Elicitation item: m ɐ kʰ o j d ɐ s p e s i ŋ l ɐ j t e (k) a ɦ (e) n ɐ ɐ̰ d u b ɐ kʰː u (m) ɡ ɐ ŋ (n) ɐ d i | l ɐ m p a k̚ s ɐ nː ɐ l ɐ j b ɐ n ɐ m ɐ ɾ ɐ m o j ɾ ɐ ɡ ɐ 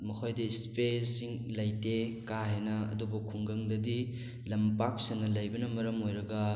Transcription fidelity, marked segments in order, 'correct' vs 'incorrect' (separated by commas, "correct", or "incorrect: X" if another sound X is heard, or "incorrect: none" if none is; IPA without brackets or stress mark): correct, correct, incorrect: ŋ, incorrect: d